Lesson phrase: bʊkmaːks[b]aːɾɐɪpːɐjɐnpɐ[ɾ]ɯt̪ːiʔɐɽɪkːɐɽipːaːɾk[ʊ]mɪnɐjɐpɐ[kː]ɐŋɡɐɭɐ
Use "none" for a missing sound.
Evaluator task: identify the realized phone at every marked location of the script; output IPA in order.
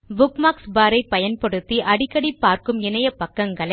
b, ɽ, ɯ, kː

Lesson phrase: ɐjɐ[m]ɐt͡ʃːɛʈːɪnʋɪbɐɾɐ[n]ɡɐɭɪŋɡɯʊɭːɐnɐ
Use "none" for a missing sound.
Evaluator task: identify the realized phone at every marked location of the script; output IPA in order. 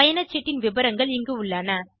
n, ŋ

